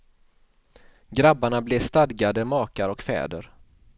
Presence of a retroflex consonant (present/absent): present